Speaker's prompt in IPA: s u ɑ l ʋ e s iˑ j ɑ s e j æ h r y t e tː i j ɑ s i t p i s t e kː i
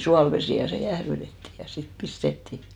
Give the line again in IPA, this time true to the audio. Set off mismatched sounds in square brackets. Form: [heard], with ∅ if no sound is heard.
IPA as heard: s u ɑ l ʋ e s iˑ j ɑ s e j æ h r y t e tː i j ɑ s i t p i s t e [tː] i